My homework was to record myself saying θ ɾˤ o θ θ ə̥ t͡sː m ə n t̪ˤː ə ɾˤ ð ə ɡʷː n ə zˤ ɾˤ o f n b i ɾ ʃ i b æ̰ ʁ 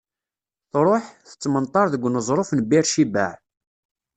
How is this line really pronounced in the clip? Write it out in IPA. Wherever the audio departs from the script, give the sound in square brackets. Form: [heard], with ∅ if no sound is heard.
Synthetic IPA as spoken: θ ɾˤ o [ħ] θ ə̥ t͡sː m ə n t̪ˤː [ɑ] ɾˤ ð ə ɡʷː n ə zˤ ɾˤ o f n b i ɾ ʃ i b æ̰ [ʕ]